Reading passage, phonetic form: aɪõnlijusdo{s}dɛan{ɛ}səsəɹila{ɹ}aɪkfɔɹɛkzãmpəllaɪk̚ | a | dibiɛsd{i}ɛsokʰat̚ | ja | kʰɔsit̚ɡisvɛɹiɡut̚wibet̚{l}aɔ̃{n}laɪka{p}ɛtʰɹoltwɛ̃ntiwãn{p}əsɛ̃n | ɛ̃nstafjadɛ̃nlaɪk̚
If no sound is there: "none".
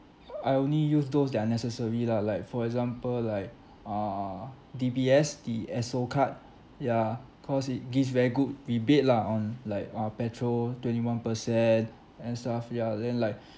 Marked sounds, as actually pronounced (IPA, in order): s, ɛ, l, i, l, n, p, p

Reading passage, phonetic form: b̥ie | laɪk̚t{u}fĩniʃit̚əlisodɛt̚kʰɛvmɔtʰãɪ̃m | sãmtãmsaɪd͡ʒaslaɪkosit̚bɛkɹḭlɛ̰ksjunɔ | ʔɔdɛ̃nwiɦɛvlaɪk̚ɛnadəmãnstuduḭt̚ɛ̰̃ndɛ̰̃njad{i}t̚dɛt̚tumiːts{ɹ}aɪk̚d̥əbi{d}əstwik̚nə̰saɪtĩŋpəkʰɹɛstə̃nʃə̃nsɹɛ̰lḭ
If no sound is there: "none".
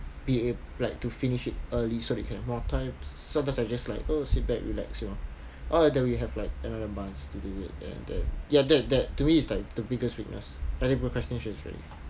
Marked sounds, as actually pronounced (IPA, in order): u, ɛ, l, ɡ

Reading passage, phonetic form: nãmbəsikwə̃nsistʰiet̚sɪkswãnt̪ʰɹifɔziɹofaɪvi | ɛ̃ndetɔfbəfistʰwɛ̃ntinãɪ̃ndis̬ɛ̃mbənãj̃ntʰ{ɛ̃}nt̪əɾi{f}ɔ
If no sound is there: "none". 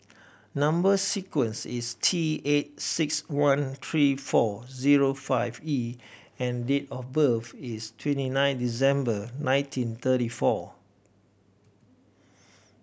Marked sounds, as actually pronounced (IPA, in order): ĩ, f

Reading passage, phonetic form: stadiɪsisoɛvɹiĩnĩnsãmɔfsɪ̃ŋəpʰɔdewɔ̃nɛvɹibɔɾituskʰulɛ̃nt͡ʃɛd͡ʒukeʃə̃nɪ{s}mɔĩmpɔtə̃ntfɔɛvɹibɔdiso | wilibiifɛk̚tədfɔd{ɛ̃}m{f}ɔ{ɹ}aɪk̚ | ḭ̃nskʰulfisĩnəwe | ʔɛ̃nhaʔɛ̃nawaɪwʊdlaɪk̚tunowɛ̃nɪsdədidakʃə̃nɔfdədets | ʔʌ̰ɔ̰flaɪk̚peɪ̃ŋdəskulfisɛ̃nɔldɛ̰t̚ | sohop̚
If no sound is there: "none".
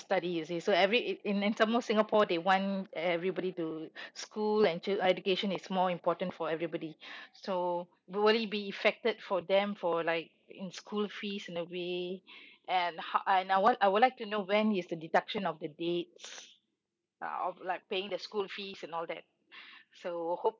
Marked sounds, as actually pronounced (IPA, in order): s, ɛ̃, f, l

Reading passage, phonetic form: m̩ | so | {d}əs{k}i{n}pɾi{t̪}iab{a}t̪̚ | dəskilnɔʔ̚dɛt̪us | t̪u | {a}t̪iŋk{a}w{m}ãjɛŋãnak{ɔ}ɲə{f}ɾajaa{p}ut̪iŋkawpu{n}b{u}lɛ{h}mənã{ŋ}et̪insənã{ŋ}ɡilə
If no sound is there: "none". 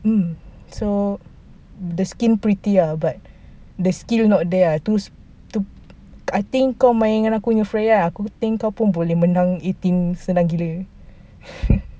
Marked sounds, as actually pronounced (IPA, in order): d, k, n, t̪, a, a, a, m, u, f, k, n, o, h, ŋ, ŋ

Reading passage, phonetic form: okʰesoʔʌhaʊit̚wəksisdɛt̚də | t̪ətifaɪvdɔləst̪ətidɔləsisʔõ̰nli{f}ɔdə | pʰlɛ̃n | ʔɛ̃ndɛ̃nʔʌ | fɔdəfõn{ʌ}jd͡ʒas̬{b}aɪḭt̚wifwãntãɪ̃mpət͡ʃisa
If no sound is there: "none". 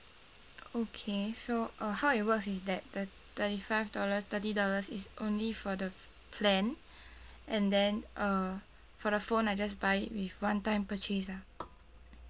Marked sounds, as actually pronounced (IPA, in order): f, a, b

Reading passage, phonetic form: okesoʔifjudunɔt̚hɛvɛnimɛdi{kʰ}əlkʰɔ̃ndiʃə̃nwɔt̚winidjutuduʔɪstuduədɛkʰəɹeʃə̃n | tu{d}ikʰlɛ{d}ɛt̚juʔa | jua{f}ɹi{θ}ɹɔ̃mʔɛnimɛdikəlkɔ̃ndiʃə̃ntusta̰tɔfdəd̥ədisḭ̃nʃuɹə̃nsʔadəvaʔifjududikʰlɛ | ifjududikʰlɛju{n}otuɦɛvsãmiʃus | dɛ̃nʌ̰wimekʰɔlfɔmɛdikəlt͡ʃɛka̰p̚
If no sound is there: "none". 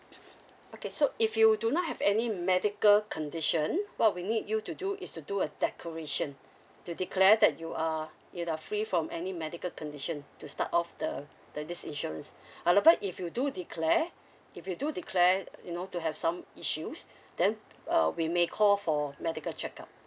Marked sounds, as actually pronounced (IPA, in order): k, d, d, f, f, n

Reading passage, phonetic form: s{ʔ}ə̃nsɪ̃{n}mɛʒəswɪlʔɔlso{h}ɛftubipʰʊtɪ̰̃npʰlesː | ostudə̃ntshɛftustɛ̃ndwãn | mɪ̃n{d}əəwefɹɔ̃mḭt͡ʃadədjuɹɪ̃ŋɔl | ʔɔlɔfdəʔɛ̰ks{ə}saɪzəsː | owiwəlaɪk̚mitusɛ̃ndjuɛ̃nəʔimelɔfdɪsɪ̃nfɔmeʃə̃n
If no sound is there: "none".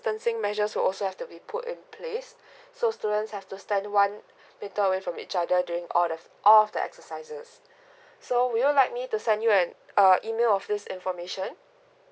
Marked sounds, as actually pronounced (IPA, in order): t, ŋ, h, t, ə

